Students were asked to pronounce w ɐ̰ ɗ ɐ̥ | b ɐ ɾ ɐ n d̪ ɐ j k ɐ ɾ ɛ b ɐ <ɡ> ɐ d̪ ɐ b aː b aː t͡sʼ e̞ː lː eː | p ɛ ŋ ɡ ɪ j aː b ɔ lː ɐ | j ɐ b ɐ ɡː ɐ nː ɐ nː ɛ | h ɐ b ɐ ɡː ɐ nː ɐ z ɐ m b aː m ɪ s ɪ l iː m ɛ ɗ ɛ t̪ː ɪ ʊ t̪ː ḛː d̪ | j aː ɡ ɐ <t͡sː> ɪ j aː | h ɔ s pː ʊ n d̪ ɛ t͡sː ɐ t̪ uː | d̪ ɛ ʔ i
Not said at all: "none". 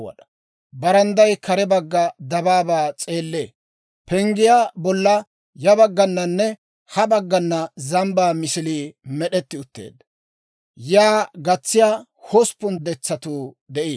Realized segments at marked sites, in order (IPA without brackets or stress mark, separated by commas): ɡː, t͡sː